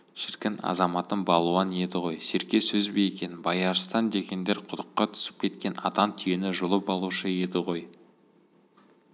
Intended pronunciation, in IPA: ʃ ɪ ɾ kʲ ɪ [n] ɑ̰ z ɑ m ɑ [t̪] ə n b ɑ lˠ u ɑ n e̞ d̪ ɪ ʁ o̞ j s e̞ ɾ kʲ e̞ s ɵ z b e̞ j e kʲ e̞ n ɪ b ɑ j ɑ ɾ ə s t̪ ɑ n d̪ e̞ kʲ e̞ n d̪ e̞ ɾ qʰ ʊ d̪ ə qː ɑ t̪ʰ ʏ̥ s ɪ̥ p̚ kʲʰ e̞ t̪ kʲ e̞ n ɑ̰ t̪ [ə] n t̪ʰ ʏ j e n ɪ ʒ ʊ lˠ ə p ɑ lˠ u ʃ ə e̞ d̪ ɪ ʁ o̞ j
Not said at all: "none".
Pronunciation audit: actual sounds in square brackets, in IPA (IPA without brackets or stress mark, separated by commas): n, t̪, ɑ